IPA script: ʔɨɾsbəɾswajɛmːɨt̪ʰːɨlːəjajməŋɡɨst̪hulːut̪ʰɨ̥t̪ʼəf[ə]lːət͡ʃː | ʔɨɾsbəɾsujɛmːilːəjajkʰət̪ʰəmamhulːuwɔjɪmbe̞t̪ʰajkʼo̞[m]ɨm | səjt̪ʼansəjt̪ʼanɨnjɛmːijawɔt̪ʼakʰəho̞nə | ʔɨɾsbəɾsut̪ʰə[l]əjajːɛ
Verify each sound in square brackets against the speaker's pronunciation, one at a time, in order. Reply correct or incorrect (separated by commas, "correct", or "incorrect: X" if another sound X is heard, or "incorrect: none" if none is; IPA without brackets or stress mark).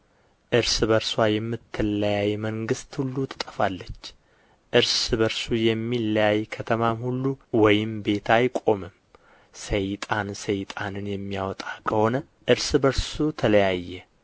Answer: incorrect: a, correct, correct